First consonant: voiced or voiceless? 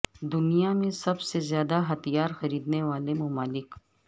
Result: voiced